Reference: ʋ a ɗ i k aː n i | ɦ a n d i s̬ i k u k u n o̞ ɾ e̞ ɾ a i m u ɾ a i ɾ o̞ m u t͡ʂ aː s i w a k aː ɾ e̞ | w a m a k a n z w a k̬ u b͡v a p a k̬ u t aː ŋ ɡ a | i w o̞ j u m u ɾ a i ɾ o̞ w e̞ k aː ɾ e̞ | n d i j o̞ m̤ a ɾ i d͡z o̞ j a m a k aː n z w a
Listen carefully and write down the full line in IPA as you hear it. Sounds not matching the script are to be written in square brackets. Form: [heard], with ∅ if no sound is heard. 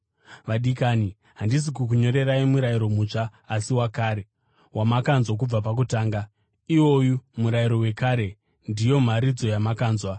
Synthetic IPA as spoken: ʋ a ɗ i k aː n i | ɦ a n d i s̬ i k u k u [ɲ] o̞ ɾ e̞ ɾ a i m u ɾ a i ɾ o̞ m u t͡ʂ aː s i w a k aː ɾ e̞ | w a m a k a n z w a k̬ u b͡v a p a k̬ u t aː ŋ ɡ a | i w o̞ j u m u ɾ a i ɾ o̞ w e̞ k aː ɾ e̞ | n d i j o̞ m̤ a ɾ i d͡z o̞ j a m a k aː n z w a